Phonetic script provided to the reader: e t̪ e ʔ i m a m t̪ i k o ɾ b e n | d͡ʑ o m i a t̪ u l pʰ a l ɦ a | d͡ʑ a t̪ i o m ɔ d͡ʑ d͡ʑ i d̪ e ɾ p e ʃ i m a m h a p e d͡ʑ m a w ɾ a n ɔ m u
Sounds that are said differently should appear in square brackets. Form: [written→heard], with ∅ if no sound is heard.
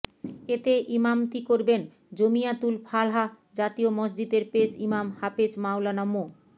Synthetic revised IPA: e t̪ e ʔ i m a m t̪ i k o ɾ b e n | d͡ʑ o m i a t̪ u l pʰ a l ɦ a | d͡ʑ a t̪ i o m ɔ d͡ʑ d͡ʑ i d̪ e ɾ p e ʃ i m a m h a p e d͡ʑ m a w [ɾ→l] a n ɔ m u

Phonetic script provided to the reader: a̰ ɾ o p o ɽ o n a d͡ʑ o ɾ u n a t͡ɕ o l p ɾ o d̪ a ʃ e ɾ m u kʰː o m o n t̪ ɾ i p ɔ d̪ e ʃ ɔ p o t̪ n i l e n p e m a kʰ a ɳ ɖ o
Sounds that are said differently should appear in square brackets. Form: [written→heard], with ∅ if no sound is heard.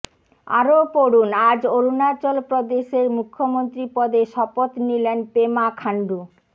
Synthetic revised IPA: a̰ ɾ o p o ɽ [o→u] n a d͡ʑ o ɾ u n a t͡ɕ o l p ɾ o d̪ [a→e] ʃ e ɾ m u kʰː o m o n t̪ ɾ i p ɔ d̪ e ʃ ɔ p o t̪ n i l e n p e m a kʰ a ɳ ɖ [o→u]

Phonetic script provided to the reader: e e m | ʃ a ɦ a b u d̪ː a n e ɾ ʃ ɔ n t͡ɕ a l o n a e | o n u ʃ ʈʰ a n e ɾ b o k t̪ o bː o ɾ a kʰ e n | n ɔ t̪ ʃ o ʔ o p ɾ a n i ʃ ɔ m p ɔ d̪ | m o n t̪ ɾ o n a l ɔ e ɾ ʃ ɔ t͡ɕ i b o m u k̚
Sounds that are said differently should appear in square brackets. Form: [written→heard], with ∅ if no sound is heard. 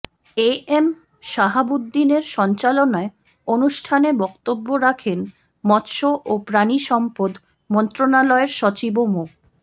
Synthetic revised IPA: e e m | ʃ a ɦ a b u d̪ː [a→i] n e ɾ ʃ ɔ n t͡ɕ a l o n a e | o n u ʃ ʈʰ a n e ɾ b [o→ɔ] k t̪ o bː o ɾ a kʰ e n | [n→m] ɔ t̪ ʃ o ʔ o p ɾ a n i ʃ ɔ m p [ɔ→o] d̪ | m [o→ɔ] n t̪ ɾ o n a l ɔ e ɾ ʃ ɔ t͡ɕ i b o m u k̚

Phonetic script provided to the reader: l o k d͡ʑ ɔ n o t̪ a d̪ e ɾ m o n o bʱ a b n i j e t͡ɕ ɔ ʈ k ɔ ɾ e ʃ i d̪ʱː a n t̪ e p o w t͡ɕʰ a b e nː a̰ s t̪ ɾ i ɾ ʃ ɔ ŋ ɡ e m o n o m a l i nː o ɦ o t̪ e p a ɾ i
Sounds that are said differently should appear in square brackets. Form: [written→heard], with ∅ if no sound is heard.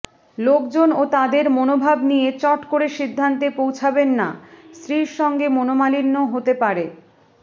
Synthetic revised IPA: l o k d͡ʑ [ɔ→o] n o t̪ a d̪ e ɾ m o n o bʱ a b n i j e t͡ɕ ɔ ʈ k [ɔ→o] ɾ e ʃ i d̪ʱː a n t̪ e p o w t͡ɕʰ a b e nː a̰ s t̪ ɾ i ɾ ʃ ɔ ŋ ɡ e m o n o m a l i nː o ɦ o t̪ e p a ɾ [i→e]

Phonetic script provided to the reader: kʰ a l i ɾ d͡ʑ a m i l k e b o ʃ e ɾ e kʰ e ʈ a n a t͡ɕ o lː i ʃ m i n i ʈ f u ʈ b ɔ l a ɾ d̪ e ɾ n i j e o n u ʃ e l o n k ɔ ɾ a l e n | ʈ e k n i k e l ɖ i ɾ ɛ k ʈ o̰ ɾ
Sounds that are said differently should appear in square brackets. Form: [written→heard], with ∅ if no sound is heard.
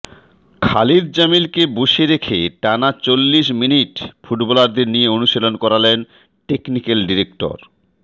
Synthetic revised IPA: kʰ a l i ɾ d͡ʑ a m i l k e b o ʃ e ɾ e kʰ e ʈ a n a t͡ɕ o lː i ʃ m i n i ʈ f u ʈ b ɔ l a ɾ d̪ e ɾ n i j e o n u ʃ e l o n k ɔ ɾ a l e n | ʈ e k n i k e l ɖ i ɾ [ɛ→e] k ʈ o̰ ɾ

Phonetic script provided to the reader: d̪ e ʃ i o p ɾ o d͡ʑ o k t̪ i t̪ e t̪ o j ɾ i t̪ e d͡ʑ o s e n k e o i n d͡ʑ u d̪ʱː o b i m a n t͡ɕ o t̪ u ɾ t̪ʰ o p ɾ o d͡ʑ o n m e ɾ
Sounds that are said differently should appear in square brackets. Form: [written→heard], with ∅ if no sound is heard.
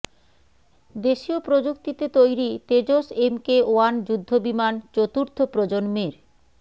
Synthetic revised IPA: d̪ e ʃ i o p ɾ o d͡ʑ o k t̪ i t̪ e t̪ o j ɾ i t̪ e d͡ʑ o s e [n→m] k e o [i→a] n d͡ʑ u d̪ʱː o b i m a n t͡ɕ o t̪ u ɾ t̪ʰ o p ɾ o d͡ʑ o n m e ɾ

